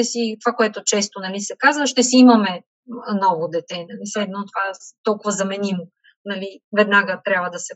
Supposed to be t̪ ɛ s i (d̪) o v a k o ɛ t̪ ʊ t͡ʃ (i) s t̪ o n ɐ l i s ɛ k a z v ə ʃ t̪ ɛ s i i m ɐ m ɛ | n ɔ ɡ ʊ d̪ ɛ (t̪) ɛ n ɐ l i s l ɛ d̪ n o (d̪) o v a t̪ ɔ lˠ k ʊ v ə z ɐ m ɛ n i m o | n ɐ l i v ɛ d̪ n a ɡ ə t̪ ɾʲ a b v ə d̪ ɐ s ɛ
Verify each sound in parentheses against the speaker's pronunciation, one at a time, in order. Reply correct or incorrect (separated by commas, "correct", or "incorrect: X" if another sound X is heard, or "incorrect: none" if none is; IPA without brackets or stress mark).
incorrect: t̪, incorrect: ɛ, correct, incorrect: t̪